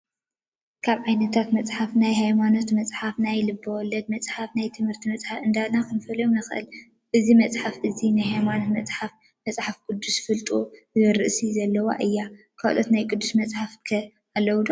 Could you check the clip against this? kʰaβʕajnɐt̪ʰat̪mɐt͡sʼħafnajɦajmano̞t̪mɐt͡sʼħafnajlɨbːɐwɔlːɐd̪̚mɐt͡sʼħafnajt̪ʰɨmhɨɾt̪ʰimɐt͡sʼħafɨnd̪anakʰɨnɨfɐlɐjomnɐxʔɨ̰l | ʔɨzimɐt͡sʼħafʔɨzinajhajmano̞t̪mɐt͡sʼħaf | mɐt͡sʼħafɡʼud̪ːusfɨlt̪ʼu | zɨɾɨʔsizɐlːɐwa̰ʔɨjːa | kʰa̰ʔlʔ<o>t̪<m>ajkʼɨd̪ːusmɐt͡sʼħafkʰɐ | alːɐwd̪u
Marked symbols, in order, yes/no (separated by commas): yes, no